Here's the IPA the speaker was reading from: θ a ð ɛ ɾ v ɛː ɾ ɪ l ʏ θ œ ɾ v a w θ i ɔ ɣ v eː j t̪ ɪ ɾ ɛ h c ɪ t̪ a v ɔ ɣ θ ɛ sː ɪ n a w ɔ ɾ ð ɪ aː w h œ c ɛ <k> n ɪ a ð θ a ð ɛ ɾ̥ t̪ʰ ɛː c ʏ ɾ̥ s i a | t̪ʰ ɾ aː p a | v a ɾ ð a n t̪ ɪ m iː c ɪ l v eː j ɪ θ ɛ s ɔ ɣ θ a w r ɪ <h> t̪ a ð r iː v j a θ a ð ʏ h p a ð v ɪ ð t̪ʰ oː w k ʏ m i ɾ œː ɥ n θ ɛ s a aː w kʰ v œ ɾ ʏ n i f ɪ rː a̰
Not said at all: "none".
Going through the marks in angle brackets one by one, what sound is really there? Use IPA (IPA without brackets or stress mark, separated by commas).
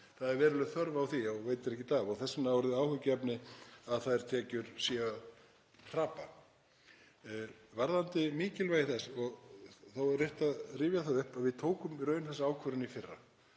p, h